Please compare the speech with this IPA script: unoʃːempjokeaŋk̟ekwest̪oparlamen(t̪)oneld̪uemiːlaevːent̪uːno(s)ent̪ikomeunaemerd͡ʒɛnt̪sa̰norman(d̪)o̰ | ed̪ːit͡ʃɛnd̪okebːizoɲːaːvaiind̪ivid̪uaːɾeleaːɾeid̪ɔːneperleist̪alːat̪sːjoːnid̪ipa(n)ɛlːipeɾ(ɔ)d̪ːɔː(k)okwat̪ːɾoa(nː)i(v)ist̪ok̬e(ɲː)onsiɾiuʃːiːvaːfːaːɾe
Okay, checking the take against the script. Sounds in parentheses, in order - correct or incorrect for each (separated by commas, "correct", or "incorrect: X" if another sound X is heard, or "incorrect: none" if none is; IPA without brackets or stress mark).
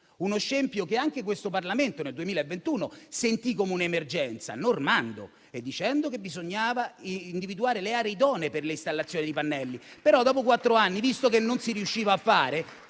correct, correct, correct, incorrect: nː, correct, incorrect: p, correct, correct, incorrect: nː